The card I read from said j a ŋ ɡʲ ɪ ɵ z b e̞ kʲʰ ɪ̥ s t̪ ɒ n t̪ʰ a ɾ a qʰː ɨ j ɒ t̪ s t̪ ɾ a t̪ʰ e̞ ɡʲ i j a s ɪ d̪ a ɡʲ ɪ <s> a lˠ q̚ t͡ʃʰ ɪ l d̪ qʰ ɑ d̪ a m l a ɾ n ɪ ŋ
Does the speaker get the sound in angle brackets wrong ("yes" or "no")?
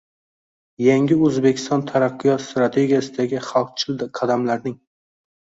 yes